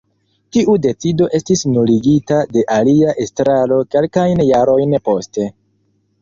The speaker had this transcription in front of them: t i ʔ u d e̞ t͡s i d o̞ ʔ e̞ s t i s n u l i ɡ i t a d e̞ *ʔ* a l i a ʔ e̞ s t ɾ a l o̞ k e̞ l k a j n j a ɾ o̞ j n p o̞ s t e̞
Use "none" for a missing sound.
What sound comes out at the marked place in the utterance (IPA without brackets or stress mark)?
ʔ